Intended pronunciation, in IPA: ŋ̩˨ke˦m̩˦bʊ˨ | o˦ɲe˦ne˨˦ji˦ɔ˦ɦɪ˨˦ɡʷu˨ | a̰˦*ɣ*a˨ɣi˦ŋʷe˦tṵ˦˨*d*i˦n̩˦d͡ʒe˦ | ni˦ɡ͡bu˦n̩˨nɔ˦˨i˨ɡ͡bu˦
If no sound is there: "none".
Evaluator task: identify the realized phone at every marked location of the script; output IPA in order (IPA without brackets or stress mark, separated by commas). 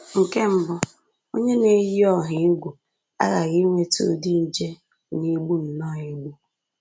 ɣ, d